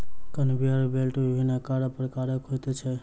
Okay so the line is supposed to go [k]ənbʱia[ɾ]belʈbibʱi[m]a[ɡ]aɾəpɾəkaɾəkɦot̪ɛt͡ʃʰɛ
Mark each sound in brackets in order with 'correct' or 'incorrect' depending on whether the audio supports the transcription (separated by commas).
correct, correct, incorrect, incorrect